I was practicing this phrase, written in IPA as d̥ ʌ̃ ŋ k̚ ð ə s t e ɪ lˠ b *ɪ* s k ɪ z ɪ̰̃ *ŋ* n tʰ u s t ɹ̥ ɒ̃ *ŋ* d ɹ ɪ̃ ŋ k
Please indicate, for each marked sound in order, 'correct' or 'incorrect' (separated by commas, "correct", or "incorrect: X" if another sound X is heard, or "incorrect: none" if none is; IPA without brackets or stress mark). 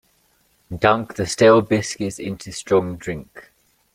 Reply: correct, incorrect: none, correct